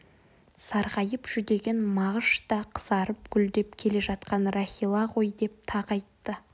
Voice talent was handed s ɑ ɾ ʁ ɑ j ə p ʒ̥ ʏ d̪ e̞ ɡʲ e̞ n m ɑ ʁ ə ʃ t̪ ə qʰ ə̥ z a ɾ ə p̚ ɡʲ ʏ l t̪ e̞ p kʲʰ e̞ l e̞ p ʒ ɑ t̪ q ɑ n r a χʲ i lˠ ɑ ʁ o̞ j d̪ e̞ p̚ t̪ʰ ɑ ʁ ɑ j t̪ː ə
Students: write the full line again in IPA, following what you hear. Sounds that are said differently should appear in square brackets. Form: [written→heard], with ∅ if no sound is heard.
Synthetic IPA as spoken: s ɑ ɾ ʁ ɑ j ə p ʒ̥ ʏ d̪ e̞ ɡʲ e̞ n m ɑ ʁ ə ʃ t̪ [ə→ɑ] qʰ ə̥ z [a→ɑ] ɾ ə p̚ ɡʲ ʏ l [t̪→d̪] e̞ p kʲʰ e̞ l e̞ [p→∅] ʒ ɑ t̪ q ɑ n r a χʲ i lˠ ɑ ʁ o̞ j d̪ e̞ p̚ t̪ʰ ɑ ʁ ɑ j t̪ː ə